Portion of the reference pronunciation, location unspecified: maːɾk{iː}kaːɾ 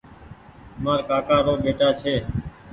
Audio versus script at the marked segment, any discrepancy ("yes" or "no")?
yes